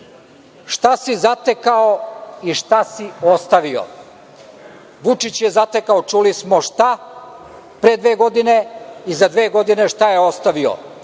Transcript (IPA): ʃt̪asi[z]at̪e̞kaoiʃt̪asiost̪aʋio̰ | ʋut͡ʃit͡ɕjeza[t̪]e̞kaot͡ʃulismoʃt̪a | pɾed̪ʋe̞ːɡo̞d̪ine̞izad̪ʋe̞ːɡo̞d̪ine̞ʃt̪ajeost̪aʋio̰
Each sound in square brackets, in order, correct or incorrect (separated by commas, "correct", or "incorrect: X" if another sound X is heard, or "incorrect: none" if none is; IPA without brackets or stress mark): correct, correct